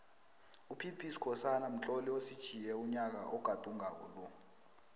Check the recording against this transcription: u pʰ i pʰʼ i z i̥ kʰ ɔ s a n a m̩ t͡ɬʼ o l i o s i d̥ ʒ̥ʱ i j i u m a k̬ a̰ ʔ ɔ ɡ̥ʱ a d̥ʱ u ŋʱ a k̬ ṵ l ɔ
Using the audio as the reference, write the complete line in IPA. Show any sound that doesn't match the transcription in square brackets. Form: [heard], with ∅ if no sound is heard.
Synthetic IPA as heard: u pʰ i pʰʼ i [s] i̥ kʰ ɔ s a n a m̩ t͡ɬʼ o l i o s i d̥ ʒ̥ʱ i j [ɛ] u [ɲ] a k̬ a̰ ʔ ɔ ɡ̥ʱ a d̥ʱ u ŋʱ a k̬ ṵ l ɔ